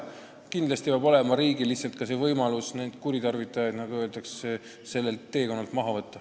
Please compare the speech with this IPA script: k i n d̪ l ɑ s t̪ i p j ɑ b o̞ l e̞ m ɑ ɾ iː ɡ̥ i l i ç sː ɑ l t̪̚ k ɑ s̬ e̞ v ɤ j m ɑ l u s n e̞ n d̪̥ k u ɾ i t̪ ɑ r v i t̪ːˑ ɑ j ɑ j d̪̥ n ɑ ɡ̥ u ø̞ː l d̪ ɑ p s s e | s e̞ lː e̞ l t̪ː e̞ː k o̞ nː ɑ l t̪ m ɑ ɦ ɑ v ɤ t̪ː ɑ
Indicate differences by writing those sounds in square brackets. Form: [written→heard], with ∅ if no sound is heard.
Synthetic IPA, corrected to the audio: k i n d̪ l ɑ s t̪ i p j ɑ b o̞ l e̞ m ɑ ɾ iː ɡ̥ i l i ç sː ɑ l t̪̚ k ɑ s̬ e̞ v ɤ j m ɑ l u s n e̞ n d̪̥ k u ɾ i t̪ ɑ r v i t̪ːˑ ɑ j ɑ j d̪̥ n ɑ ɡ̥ u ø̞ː l d̪ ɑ [p→k] s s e | s e̞ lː e̞ l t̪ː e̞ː k o̞ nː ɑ l t̪ m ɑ ɦ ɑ v ɤ t̪ː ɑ

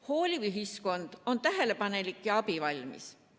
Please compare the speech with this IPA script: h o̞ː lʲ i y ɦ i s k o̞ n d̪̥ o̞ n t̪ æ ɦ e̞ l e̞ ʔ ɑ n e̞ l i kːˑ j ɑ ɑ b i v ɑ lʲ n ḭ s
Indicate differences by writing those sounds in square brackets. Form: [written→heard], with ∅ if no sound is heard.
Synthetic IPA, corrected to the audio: h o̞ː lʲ i y ɦ i s k o̞ n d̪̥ o̞ n t̪ æ ɦ e̞ l e̞ [ʔ→p] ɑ n e̞ l i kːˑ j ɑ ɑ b i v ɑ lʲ [n→m] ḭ s

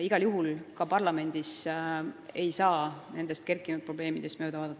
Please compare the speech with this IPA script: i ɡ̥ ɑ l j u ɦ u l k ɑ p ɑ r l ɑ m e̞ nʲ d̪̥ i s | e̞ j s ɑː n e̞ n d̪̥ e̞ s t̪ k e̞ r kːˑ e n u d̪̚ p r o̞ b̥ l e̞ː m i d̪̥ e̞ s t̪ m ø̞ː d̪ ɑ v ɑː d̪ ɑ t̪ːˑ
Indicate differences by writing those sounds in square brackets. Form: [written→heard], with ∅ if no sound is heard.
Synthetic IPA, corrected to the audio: i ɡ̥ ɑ l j u ɦ u l k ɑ p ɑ r l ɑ m e̞ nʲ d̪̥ i s | e̞ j s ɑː n e̞ n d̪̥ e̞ s t̪ k e̞ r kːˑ [e→i] n u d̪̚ p r o̞ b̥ l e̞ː m i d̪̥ e̞ s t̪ m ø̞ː d̪ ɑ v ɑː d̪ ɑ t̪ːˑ

